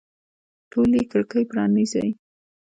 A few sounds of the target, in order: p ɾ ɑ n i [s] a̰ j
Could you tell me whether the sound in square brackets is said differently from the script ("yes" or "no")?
yes